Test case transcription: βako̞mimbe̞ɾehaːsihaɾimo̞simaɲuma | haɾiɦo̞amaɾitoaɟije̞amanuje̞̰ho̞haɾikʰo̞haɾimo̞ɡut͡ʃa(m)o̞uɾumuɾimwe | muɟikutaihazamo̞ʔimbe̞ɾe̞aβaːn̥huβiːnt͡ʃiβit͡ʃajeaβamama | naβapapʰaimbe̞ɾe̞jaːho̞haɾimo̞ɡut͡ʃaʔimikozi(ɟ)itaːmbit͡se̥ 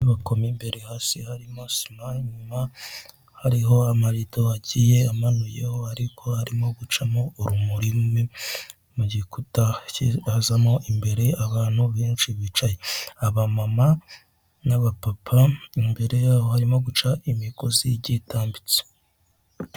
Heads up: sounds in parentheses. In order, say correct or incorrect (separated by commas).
correct, correct